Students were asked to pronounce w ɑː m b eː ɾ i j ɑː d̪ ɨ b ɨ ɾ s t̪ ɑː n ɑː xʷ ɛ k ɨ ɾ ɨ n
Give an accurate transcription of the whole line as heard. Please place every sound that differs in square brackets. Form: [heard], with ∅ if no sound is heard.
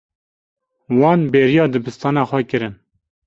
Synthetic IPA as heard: w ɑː [n] b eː ɾ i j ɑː d̪ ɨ b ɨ [∅] s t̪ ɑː n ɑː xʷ ɛ k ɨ ɾ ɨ n

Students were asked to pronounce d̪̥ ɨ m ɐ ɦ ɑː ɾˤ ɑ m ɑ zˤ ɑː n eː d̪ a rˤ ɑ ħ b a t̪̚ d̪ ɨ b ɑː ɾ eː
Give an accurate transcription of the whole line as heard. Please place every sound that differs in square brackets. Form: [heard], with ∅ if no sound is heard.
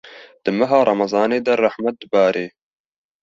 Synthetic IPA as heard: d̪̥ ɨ m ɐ ɦ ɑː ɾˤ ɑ m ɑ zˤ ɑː n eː d̪ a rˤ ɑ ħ [m] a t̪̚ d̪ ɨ b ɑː ɾ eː

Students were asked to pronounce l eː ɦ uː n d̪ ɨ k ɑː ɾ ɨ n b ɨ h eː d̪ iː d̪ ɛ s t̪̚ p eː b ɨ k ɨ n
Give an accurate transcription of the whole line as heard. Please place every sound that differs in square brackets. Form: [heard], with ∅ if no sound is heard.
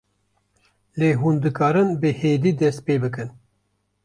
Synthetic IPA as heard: l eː ɦ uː n d̪ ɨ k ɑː ɾ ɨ n b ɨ h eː d̪ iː d̪ ɛ s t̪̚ p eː b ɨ k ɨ n

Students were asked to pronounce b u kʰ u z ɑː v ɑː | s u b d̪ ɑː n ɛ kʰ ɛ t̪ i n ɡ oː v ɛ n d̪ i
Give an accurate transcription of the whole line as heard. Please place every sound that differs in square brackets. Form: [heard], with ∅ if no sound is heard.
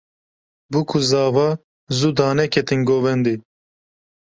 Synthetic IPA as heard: b u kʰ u z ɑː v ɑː | [z] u [∅] d̪ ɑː n ɛ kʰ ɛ t̪ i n ɡ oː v ɛ n d̪ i

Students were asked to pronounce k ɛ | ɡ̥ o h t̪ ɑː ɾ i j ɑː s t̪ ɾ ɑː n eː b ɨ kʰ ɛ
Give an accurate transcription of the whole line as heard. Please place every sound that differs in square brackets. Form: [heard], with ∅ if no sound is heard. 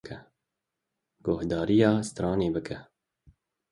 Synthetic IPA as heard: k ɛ | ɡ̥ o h [d̪] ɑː ɾ i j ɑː s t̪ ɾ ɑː n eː b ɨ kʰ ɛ

